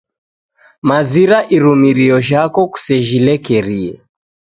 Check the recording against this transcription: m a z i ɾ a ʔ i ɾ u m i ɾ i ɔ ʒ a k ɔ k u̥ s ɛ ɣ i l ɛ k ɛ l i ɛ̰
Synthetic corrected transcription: m a z i ɾ a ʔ i ɾ u m i ɾ i ɔ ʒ a k ɔ k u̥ s ɛ ʒ i l ɛ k ɛ ɾ i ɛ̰